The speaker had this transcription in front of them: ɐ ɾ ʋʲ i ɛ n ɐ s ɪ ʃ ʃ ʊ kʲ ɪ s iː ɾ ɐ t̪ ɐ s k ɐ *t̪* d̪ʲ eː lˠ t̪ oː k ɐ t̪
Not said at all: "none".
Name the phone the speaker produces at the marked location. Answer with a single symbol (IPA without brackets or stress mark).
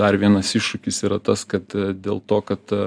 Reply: t̪